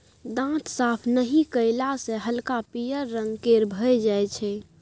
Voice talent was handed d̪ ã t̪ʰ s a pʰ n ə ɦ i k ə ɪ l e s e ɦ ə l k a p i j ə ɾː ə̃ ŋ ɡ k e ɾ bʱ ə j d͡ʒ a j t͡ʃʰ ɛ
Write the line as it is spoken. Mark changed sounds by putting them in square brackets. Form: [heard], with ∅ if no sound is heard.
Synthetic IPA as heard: d̪ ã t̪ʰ s a pʰ n ə ɦ i k ə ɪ l [a] s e ɦ ə l k a p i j ə ɾː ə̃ ŋ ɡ k e ɾ bʱ ə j d͡ʒ a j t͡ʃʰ ɛ